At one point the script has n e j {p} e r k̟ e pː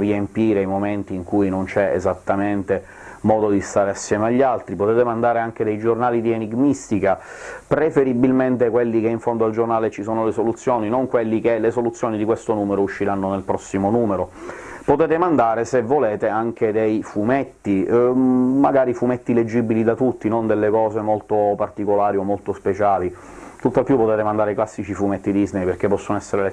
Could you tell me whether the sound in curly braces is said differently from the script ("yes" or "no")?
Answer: no